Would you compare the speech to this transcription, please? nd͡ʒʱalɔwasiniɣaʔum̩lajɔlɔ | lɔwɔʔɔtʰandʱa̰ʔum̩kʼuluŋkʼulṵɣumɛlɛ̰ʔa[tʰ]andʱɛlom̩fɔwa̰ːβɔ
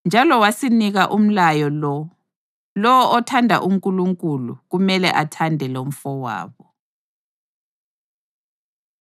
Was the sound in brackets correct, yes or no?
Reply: yes